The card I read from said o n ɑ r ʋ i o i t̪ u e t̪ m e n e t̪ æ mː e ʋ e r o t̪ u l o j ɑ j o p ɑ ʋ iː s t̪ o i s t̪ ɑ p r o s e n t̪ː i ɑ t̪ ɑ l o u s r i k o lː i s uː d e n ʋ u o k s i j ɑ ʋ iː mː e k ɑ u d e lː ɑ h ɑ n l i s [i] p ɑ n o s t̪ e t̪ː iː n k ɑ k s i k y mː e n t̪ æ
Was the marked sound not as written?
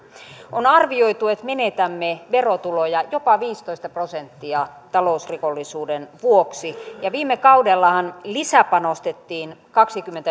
yes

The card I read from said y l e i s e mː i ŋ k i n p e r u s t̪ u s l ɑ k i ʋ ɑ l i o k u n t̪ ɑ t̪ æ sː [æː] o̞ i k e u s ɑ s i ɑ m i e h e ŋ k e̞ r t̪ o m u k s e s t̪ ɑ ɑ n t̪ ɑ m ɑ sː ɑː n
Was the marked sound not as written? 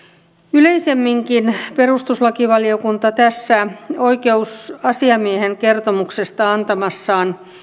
yes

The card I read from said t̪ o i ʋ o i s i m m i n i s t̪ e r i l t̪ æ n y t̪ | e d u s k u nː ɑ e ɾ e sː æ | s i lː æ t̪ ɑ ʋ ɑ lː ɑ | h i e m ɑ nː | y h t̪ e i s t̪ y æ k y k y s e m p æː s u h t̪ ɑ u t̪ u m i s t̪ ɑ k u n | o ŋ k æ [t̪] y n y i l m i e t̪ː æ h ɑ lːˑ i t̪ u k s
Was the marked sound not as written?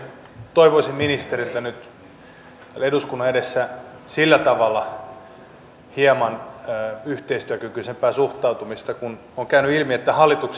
yes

